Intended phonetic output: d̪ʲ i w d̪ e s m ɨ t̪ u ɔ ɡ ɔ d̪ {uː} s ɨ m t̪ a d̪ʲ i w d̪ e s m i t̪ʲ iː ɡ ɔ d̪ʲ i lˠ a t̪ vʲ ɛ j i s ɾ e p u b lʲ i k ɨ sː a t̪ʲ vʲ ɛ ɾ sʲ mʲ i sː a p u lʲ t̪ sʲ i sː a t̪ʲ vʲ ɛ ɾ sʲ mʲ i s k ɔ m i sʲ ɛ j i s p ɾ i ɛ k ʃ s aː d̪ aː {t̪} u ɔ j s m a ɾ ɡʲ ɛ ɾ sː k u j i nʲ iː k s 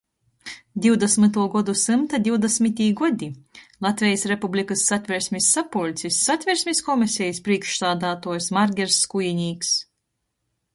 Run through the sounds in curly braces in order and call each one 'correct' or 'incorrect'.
incorrect: u, correct

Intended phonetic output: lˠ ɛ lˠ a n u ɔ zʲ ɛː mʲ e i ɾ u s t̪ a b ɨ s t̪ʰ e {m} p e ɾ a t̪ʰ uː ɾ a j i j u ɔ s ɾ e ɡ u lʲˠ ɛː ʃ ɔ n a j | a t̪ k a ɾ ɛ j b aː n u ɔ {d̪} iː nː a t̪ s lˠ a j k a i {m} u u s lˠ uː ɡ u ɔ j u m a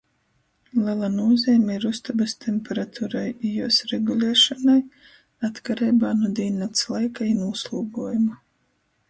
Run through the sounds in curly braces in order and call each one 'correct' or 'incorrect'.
correct, correct, incorrect: n

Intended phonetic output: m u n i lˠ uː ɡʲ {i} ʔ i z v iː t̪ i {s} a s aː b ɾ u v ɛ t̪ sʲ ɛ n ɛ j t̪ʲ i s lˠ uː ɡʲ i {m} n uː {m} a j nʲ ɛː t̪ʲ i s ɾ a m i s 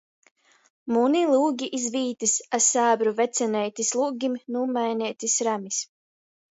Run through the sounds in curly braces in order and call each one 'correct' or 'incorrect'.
correct, correct, correct, correct

